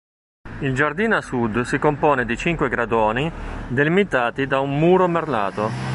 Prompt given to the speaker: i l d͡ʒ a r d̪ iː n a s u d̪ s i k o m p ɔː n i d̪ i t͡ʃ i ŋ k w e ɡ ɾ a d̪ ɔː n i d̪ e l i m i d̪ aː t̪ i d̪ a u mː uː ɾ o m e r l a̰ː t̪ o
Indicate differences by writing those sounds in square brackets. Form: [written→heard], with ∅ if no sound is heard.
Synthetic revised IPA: i l d͡ʒ a r d̪ iː n a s u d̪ s i k o m p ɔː n [i→e] d̪ i t͡ʃ i ŋ k w e ɡ ɾ a d̪ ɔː n i d̪ e l i m i [d̪→t̪] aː t̪ i d̪ a u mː uː ɾ o m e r l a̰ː t̪ o